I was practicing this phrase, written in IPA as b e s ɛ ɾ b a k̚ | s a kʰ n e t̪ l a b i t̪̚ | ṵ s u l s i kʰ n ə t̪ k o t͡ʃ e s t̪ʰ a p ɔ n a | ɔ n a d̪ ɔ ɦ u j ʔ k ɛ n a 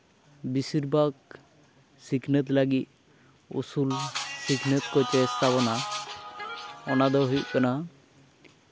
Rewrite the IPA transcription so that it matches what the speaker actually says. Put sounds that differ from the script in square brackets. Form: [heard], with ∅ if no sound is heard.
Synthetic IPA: b [i] s [i] ɾ b a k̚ | s [i] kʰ n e t̪ l a [ɡ] i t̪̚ | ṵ s u l s i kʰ n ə t̪ k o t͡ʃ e s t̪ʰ a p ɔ n a | ɔ n a d̪ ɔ ɦ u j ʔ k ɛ n a